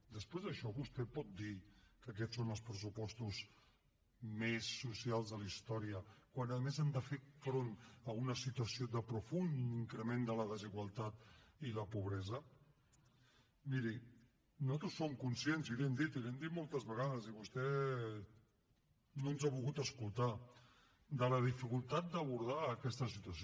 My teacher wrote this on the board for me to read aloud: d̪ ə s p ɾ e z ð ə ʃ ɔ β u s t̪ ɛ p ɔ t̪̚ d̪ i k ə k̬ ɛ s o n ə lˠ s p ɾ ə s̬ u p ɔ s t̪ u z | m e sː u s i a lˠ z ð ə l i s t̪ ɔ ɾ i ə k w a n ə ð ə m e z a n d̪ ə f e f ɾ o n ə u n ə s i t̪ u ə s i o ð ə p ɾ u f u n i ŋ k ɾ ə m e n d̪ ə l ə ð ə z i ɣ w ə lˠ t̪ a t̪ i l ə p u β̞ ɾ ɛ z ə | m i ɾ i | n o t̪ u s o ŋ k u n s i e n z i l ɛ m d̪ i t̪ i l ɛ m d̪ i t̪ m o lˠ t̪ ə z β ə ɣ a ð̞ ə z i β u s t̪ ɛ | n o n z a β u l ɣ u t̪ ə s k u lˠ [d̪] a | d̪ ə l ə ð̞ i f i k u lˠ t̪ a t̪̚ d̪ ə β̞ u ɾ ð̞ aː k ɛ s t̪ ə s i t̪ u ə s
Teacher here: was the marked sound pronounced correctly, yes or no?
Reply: no